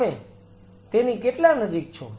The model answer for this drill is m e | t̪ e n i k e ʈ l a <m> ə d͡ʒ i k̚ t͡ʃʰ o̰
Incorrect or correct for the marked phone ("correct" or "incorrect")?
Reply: incorrect